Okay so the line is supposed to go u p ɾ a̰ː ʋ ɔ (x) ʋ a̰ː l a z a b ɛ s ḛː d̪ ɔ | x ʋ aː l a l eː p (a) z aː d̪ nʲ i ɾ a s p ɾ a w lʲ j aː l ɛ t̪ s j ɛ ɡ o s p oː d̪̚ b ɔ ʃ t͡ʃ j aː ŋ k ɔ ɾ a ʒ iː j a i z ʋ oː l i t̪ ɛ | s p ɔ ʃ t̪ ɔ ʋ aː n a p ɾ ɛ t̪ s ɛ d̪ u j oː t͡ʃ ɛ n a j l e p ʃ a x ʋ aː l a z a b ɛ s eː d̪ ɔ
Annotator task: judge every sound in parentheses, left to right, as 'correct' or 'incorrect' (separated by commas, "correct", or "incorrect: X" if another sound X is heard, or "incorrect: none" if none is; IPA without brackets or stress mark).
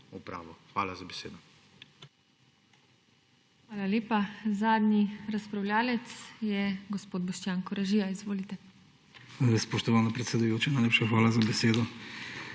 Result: correct, correct